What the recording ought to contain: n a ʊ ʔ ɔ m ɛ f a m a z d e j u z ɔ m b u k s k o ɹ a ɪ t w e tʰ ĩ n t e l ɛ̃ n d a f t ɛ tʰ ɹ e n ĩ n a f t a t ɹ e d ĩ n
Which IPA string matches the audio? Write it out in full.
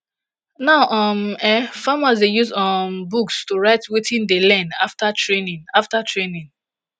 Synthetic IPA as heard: n a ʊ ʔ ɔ m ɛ f a m a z d e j u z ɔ m b u k s t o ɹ a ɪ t w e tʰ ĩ n d e l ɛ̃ n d a f t a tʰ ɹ e n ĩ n a f t a t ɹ e n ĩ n